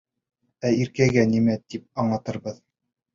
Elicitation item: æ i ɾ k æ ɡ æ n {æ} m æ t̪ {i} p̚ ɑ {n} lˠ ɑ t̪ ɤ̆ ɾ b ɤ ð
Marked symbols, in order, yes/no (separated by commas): no, yes, no